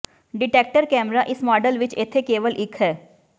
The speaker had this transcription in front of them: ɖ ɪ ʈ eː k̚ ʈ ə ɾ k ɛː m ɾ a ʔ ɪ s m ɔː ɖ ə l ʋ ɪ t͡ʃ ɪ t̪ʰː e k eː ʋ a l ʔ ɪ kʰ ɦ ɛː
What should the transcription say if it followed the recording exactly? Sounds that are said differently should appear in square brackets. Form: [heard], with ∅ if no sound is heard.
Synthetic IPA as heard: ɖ ɪ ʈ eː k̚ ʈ ə ɾ k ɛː m ɾ a ʔ ɪ s m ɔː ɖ ə l ʋ ɪ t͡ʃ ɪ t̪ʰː e k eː ʋ [ə] l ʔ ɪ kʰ ɦ ɛː